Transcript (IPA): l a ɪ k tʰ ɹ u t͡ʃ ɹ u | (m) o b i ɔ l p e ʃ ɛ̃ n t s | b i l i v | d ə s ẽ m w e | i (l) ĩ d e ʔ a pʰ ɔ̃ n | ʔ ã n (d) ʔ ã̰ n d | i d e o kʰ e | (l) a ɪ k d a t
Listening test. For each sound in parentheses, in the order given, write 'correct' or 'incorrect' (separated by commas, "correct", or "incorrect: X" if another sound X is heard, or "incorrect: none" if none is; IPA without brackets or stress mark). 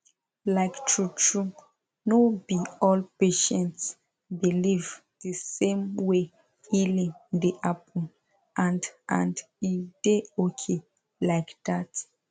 incorrect: n, correct, correct, correct